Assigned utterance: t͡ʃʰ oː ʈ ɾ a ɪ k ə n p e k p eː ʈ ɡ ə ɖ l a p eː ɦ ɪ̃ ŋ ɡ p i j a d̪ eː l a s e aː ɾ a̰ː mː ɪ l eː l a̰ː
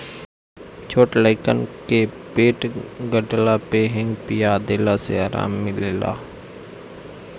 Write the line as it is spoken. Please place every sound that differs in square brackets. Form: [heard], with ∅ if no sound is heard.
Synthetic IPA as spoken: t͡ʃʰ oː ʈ [l] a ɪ k ə n [k] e k p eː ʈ ɡ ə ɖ l a p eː ɦ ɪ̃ ŋ ɡ p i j a d̪ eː l a s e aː ɾ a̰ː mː ɪ l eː l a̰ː